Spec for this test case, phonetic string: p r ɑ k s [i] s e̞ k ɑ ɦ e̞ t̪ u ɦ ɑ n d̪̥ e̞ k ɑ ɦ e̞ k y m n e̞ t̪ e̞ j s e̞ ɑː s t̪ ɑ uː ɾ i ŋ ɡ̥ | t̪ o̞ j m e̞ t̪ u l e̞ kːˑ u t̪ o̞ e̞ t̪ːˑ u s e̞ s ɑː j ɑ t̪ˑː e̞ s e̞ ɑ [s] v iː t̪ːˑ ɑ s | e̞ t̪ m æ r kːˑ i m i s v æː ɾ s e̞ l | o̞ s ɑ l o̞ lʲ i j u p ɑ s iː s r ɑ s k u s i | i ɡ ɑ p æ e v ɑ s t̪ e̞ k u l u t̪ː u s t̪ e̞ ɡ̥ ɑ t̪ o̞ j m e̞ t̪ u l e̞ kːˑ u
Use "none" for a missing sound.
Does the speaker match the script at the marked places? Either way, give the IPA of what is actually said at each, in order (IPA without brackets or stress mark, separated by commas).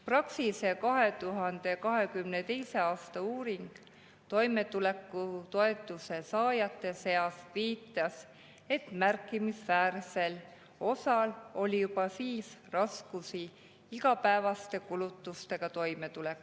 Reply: i, s